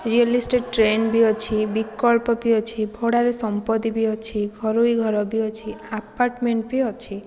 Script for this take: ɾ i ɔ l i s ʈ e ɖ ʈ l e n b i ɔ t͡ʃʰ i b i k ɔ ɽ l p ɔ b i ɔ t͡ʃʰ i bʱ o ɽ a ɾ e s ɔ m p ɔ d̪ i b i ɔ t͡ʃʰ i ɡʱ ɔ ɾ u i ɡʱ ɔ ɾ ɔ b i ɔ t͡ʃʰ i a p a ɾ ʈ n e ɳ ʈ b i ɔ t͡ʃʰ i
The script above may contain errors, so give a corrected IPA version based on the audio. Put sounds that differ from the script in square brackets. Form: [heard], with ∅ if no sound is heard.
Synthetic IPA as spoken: ɾ i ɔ l i s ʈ e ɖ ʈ [ɾ] e n b i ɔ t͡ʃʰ i b i k ɔ [∅] l p ɔ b i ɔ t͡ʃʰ i bʱ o ɽ a ɾ e s ɔ m p ɔ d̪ i b i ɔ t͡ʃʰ i ɡʱ ɔ ɾ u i ɡʱ ɔ ɾ ɔ b i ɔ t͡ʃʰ i a p a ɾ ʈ [m] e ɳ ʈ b i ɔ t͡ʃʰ i